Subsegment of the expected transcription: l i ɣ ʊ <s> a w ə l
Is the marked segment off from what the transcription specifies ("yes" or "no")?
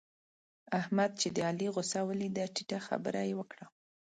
no